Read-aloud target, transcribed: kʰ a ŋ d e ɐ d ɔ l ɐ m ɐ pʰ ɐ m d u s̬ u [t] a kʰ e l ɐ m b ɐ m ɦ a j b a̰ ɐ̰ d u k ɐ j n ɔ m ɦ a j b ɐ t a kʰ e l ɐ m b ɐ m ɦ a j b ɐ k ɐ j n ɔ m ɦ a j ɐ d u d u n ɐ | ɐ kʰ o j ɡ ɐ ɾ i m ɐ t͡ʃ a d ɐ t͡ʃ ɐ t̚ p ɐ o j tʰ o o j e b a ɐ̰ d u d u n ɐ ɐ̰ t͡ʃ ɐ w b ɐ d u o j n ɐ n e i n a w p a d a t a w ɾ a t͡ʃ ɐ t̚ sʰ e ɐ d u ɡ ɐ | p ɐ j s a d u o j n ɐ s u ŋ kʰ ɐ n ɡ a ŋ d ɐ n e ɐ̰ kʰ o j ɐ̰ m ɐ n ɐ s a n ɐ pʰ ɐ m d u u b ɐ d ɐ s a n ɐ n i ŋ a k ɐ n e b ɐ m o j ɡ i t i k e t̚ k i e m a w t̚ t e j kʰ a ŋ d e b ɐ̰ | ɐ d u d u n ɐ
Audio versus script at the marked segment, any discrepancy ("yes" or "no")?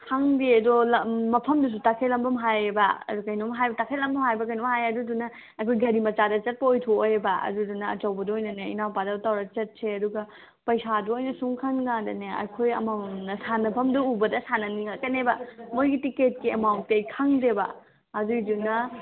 no